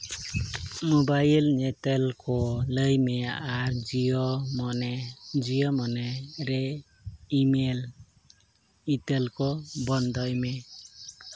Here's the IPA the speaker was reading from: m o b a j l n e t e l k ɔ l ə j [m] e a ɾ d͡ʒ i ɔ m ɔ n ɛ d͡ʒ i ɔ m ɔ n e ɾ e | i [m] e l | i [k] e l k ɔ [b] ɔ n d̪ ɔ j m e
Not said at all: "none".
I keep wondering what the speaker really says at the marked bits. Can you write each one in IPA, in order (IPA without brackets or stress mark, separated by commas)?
m, m, t, b